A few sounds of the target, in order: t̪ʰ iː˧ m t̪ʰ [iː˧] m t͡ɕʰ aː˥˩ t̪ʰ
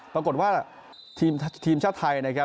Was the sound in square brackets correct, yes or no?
yes